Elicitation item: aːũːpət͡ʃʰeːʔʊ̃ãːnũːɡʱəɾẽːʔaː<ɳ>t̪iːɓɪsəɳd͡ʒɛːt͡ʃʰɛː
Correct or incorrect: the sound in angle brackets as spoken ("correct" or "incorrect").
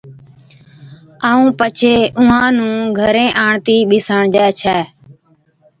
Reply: correct